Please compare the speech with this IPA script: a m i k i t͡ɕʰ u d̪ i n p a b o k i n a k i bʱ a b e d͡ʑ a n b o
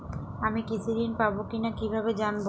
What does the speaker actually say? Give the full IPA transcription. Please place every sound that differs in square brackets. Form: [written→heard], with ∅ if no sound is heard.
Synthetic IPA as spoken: a m i k i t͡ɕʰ u d̪ i n p a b o k i n a k i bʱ a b e d͡ʑ a n b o